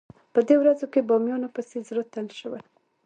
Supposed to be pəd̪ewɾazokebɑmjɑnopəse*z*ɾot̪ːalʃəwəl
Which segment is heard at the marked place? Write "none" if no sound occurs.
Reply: z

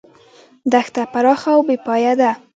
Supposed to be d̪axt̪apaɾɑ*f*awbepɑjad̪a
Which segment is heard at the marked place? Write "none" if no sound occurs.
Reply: x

